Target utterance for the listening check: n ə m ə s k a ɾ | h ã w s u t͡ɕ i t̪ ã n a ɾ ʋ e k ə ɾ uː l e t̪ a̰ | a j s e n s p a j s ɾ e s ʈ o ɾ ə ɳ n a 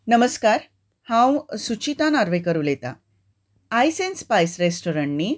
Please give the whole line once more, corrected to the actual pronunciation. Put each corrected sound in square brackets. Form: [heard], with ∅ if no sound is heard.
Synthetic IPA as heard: n ə m ə s k a ɾ | h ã w s u t͡ɕ i t̪ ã n a ɾ ʋ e k ə ɾ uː l e t̪ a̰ | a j s e n s p a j s ɾ e s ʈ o ɾ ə ɳ n [i]